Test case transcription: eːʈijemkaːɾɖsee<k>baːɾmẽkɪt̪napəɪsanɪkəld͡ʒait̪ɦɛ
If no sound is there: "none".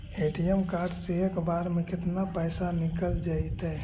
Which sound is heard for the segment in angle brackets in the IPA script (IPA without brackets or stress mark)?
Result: k